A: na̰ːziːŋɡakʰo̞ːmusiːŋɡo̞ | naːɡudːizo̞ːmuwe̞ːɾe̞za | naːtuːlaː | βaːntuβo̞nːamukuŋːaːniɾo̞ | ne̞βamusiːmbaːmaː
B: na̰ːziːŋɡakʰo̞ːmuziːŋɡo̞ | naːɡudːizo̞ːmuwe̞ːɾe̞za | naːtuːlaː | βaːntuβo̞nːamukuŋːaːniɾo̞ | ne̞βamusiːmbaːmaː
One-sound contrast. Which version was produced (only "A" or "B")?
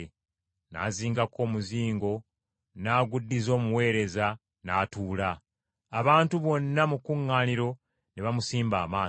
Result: B